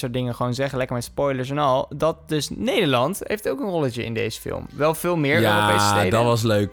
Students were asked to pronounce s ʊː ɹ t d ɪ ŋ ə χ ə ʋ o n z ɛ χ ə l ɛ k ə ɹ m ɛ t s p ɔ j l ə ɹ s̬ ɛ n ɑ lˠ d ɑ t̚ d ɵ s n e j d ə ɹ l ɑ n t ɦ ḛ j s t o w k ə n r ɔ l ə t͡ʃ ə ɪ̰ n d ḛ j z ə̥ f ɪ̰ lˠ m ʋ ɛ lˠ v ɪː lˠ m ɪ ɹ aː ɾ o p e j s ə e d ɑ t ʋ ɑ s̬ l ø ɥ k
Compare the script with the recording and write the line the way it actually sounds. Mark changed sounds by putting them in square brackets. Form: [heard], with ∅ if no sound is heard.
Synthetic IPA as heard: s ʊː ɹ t d ɪ ŋ ə χ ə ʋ o n z ɛ χ ə l ɛ k ə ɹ m ɛ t s p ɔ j l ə ɹ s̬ ɛ n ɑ lˠ d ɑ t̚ d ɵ s n e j d ə ɹ l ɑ n t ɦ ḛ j [f] t o w k ə n r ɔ l ə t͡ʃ ə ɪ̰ n d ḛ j z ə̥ f ɪ̰ lˠ m ʋ ɛ lˠ v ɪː lˠ m ɪ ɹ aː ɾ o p e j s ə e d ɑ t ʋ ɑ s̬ l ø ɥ k